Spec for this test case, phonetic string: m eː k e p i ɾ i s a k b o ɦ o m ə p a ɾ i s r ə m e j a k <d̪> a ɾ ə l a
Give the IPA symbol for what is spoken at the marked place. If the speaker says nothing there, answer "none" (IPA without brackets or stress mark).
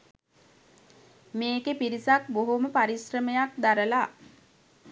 d̪